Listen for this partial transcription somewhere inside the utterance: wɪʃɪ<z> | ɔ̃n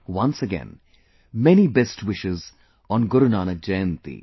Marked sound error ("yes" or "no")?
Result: no